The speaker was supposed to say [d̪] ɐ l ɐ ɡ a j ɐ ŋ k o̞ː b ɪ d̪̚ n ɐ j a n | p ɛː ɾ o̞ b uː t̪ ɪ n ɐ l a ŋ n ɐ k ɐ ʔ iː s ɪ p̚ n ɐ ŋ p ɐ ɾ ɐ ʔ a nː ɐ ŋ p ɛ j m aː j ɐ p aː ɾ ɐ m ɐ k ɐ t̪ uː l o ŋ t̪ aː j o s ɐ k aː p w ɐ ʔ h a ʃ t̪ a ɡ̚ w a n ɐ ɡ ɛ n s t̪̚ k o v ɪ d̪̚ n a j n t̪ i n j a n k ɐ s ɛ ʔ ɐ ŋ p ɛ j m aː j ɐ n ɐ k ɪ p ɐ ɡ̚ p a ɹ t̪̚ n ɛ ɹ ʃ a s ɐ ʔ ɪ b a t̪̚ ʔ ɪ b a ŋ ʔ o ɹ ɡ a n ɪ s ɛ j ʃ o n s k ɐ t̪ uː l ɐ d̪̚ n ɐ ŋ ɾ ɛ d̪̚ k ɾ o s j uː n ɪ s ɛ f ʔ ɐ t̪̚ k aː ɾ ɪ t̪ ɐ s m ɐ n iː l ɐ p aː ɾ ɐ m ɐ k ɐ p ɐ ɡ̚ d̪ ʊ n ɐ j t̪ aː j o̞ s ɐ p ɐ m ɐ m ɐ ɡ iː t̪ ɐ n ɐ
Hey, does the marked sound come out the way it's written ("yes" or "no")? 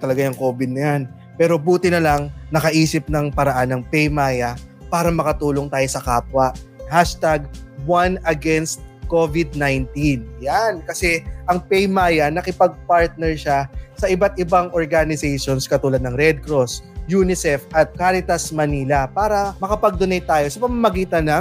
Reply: no